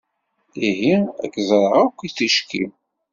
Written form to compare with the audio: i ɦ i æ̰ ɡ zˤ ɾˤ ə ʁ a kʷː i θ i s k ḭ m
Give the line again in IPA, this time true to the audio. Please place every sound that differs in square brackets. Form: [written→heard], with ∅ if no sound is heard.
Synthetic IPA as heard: i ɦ i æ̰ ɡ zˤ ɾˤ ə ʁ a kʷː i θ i [s→ʃ] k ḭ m